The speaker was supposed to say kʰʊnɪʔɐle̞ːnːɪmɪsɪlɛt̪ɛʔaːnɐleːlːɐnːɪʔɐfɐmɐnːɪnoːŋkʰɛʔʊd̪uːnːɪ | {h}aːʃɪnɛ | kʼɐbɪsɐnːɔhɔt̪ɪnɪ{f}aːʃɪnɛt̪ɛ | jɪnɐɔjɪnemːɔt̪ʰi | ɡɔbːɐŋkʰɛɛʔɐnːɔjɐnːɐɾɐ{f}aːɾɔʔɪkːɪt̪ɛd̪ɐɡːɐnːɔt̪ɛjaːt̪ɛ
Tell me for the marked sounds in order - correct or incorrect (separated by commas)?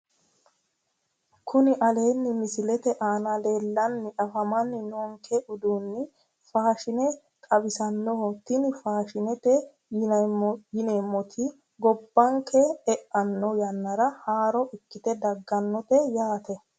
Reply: incorrect, correct, incorrect